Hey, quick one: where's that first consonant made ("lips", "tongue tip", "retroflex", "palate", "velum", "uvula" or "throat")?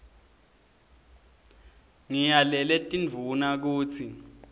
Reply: velum